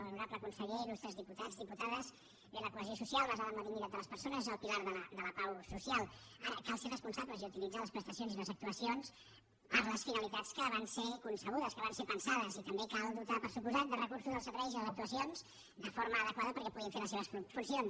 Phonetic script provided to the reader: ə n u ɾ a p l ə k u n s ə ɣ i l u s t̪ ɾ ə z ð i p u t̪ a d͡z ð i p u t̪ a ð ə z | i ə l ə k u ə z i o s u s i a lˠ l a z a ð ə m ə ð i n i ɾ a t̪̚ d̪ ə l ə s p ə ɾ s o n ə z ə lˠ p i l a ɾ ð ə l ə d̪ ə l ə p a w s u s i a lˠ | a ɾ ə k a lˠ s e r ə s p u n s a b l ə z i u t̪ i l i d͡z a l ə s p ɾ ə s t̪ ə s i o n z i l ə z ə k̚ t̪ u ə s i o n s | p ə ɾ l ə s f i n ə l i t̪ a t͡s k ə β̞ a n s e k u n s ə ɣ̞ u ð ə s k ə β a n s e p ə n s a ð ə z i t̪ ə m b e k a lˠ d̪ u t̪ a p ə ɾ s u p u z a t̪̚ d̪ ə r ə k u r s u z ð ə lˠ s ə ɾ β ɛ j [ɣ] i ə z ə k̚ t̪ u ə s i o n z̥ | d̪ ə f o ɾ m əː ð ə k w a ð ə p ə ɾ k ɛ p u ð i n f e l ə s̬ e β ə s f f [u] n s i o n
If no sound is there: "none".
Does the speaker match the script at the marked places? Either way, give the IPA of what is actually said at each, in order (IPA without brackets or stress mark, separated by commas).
z, u